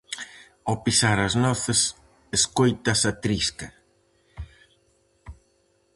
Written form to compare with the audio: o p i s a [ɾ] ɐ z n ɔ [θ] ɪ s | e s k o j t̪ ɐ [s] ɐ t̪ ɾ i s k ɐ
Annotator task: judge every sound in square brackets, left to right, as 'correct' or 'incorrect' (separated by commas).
correct, correct, correct